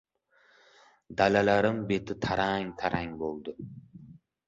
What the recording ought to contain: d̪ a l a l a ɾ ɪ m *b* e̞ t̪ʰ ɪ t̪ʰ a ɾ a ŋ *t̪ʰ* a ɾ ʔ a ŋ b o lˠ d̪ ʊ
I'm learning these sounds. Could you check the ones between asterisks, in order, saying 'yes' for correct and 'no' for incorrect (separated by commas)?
yes, yes